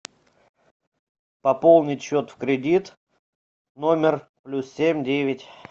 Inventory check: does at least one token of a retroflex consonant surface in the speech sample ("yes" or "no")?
no